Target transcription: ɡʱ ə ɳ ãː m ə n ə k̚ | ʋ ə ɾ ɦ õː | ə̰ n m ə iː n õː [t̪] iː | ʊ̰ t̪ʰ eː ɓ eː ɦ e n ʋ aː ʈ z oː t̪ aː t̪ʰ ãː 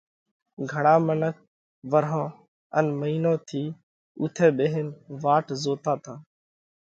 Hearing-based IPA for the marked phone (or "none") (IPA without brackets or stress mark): t̪ʰ